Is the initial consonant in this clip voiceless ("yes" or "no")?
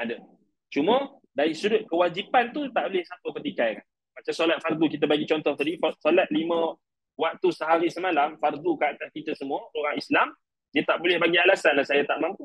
no